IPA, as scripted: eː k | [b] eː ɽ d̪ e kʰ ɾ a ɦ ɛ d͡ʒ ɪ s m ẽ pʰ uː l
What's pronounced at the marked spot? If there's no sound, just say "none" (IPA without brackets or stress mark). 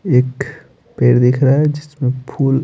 p